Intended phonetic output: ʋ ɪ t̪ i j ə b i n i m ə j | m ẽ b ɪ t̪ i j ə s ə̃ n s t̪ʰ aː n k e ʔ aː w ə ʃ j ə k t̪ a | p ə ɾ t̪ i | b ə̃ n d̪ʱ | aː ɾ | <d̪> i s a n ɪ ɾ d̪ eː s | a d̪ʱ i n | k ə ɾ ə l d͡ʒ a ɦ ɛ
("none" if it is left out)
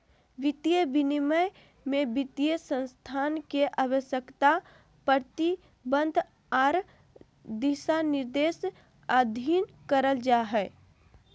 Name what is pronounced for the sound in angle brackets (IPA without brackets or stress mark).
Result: d̪